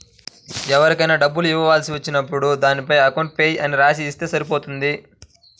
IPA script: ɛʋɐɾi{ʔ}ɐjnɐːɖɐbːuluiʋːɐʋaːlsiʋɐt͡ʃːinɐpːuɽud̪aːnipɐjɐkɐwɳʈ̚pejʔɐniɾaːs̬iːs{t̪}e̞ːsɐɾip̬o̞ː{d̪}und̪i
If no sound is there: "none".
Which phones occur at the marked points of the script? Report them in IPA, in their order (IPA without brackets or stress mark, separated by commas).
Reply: k, t̪, t̪